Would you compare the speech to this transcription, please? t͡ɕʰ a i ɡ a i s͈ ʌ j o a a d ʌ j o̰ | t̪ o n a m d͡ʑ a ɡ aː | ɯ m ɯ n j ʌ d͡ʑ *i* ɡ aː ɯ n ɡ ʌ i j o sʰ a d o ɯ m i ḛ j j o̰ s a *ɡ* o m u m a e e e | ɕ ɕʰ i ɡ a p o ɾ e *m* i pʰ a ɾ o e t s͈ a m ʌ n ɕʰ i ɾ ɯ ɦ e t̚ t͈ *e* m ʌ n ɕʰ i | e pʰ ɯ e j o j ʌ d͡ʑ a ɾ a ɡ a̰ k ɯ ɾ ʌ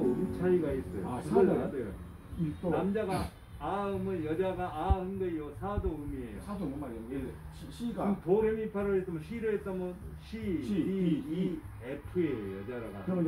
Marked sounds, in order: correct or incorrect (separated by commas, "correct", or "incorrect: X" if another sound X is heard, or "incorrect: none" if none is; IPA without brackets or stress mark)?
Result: incorrect: a, incorrect: d, correct, incorrect: a